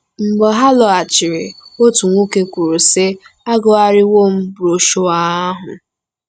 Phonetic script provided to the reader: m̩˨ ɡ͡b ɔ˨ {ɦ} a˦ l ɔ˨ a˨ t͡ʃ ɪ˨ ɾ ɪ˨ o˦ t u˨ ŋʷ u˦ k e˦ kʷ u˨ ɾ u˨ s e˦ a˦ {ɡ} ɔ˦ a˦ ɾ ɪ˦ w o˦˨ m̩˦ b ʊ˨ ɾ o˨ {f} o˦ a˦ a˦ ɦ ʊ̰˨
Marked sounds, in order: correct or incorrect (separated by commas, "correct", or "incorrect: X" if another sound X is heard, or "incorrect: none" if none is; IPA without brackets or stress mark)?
correct, correct, incorrect: ʃ